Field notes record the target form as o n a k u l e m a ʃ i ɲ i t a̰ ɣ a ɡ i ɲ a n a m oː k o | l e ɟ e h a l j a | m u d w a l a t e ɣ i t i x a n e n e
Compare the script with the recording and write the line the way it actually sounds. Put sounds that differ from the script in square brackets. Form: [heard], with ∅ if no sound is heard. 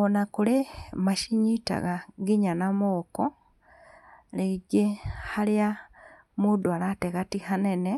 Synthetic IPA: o n a k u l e m a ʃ i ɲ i t a̰ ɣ a ɡ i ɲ a n a m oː k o | l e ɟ e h a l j a | m u d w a l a t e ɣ [a] t i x a n e n e